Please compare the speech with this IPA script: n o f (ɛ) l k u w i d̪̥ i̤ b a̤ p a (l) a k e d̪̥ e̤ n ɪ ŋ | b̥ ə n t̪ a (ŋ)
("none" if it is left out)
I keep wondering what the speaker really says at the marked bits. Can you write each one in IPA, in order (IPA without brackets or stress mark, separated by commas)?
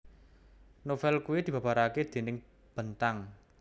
ɛ, ɾ, ŋ